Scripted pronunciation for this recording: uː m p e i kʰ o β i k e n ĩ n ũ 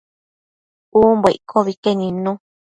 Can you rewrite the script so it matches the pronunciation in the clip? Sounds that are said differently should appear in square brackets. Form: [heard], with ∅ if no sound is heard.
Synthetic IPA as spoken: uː m [b] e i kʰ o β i k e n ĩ n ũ